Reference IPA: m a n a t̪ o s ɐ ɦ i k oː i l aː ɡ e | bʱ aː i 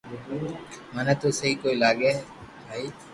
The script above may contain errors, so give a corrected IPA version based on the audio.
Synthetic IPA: m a n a t̪ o s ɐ ɦ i k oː i l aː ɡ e | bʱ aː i